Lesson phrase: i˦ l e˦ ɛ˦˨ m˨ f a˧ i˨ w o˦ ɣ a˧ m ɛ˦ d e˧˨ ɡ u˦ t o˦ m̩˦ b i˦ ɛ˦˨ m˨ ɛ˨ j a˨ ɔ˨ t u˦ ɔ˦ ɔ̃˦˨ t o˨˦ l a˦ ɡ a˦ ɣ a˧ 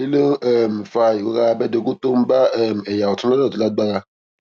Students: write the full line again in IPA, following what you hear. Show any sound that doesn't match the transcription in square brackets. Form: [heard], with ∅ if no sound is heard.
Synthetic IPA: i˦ l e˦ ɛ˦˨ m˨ f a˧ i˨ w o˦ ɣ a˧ [b] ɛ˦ d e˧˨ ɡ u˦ t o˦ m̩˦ b [a˦] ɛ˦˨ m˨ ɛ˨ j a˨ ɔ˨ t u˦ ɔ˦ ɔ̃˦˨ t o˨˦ l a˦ [ɡ͡b] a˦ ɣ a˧